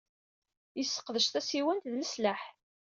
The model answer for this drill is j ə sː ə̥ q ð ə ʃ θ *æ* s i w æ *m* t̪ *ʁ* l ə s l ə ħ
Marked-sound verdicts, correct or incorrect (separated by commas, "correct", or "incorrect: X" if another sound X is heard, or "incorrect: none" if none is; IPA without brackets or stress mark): correct, incorrect: n, incorrect: ð